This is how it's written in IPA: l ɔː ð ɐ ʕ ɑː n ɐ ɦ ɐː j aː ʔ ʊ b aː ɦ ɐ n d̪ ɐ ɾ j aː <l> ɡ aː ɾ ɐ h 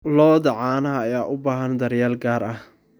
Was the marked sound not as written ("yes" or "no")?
no